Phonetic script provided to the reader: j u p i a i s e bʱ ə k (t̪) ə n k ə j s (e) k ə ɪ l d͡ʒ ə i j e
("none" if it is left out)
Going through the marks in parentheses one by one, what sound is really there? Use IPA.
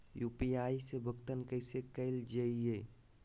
t̪, e

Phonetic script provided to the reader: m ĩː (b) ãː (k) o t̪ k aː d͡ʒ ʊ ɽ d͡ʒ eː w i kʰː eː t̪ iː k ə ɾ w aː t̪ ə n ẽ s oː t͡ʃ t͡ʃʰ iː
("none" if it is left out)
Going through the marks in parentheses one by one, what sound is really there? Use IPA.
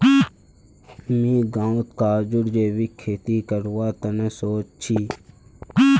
ɡ, none

